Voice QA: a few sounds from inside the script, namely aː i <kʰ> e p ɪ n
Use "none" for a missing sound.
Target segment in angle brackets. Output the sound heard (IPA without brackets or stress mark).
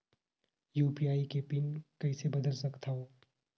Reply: k